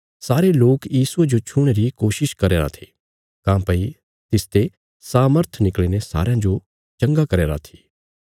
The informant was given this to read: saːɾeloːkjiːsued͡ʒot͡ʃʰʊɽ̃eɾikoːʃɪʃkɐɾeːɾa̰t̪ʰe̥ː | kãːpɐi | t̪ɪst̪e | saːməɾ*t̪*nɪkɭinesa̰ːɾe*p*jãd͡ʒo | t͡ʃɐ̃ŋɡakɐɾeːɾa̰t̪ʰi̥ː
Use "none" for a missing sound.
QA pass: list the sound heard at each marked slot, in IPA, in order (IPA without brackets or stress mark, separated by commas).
t̪ʰ, none